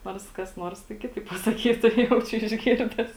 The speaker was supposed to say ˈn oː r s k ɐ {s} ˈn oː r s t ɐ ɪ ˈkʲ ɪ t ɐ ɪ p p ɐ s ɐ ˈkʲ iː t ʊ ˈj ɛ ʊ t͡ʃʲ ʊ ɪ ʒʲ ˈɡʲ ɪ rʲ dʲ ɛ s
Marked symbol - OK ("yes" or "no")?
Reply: yes